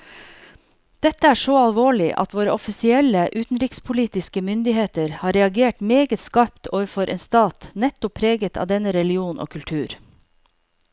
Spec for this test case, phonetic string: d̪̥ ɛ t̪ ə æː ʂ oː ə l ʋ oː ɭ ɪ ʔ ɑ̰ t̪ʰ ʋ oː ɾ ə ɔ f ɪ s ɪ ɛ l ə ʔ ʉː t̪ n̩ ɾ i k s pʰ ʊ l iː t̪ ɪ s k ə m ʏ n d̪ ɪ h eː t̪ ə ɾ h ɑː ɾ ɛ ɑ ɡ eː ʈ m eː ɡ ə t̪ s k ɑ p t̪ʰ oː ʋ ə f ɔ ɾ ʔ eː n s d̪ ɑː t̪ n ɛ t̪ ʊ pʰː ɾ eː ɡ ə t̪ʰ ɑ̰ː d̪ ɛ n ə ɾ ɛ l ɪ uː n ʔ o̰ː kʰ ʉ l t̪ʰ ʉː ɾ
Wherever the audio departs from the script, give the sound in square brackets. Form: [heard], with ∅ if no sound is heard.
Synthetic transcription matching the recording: d̪̥ ɛ t̪ ə æː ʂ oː [ɑ] l ʋ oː ɭ ɪ ʔ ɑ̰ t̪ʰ ʋ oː ɾ ə ɔ f ɪ s ɪ ɛ l ə ʔ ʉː t̪ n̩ ɾ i k s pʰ ʊ l iː t̪ ɪ s k ə m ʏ n d̪ ɪ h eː t̪ ə ɾ h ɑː ɾ ɛ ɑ ɡ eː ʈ m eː ɡ ə t̪ s k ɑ p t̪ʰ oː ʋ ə f ɔ ɾ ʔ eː n s [t̪] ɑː t̪ n ɛ t̪ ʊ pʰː ɾ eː ɡ ə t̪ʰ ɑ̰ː d̪ ɛ n ə ɾ ɛ l ɪ uː n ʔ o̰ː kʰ ʉ l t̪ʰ ʉː ɾ